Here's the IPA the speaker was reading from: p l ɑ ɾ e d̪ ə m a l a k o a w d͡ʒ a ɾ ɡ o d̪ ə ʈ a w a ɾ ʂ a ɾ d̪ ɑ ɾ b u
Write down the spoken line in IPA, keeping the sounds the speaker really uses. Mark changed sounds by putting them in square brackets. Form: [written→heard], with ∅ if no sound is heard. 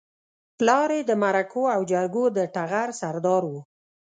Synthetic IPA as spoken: p l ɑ ɾ e d̪ ə m a [l→ɾ] a k o a w d͡ʒ a ɾ ɡ o d̪ ə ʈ a [w→ɣ] a ɾ [ʂ→s] a ɾ d̪ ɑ ɾ [b→w] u